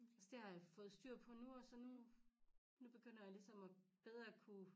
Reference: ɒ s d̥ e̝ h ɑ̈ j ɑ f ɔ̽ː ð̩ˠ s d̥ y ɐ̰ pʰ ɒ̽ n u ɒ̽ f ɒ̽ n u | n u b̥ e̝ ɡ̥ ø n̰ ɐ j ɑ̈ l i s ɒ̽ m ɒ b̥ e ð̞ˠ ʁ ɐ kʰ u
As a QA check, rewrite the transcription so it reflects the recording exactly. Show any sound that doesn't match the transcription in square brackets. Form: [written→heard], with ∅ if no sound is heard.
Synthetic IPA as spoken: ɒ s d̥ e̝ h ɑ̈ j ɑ f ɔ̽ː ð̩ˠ s d̥ y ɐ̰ pʰ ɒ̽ n u ɒ̽ [f→s] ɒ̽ n u | n u b̥ e̝ ɡ̥ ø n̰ ɐ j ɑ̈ l i s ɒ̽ m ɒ b̥ e ð̞ˠ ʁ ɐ kʰ u